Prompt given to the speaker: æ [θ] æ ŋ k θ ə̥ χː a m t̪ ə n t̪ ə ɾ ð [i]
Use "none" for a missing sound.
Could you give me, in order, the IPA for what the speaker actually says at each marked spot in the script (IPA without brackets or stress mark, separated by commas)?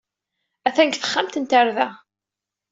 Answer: θ, æ